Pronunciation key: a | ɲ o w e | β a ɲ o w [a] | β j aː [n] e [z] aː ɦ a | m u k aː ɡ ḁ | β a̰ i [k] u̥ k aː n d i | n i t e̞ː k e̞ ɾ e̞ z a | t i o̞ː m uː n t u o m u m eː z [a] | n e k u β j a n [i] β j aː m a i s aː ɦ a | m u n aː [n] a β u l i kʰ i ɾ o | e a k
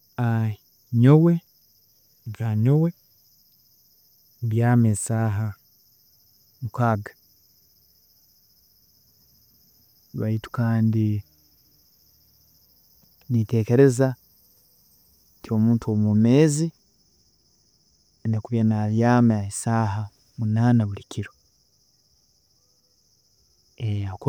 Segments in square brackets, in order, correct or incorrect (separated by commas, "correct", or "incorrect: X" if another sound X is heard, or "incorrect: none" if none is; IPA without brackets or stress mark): incorrect: e, incorrect: m, incorrect: s, incorrect: t, incorrect: i, incorrect: a, correct